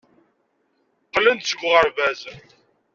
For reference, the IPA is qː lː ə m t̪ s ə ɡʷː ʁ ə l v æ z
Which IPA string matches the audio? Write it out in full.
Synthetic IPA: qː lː ə n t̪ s ə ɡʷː ʁ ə ɾ v æ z